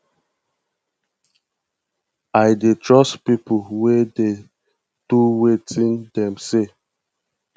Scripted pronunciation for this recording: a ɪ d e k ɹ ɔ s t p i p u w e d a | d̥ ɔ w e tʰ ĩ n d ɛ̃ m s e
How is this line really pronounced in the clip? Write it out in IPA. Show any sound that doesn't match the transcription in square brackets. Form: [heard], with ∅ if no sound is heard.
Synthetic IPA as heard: a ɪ d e [t] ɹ ɔ s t p i p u w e d [e] | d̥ [u] w e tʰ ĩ n d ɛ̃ m s e